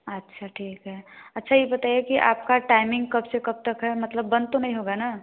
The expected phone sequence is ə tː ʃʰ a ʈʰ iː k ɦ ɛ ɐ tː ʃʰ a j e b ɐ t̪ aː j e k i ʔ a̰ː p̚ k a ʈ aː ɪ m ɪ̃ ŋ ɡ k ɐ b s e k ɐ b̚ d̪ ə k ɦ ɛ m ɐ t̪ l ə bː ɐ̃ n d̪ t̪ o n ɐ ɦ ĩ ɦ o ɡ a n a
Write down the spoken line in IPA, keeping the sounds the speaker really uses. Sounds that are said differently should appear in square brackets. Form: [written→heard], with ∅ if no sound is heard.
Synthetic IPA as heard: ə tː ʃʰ a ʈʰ iː k ɦ ɛ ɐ tː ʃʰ a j e b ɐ t̪ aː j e k i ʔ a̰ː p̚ k a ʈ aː ɪ m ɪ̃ ŋ ɡ k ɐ b s e k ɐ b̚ [d̪→t̪] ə k ɦ ɛ m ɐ t̪ l ə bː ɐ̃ n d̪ t̪ o n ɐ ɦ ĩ ɦ o ɡ a n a